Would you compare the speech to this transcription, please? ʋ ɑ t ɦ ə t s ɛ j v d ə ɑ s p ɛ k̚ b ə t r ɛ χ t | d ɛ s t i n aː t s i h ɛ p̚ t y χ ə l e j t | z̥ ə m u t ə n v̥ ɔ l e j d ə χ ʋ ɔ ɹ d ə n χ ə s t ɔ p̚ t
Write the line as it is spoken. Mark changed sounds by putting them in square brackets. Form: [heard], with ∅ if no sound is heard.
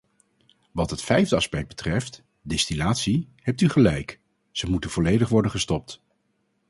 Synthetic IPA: ʋ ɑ t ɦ ə t [f] ɛ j v d ə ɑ s p ɛ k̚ b ə t r ɛ [f] t | d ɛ s t i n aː t s i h ɛ p̚ t y χ ə l [ɛ] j [k] | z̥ ə m u t ə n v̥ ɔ l e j d ə χ ʋ ɔ ɹ d ə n χ ə s t ɔ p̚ t

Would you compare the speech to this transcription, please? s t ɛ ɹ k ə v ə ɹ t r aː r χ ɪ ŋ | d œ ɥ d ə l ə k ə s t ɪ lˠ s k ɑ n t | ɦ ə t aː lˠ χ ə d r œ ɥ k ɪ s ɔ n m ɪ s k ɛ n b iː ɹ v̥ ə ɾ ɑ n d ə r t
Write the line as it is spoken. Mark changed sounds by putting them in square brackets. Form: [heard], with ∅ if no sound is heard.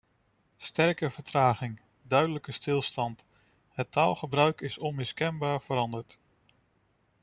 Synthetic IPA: s t ɛ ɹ k ə v ə ɹ t r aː [∅] χ ɪ ŋ | d œ ɥ d ə l ə k ə s t ɪ lˠ s [t] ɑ n t | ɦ ə t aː lˠ χ ə [b] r œ ɥ k ɪ s ɔ n m ɪ s k ɛ n b [aː] ɹ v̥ ə ɾ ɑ n d ə [ɹ] t

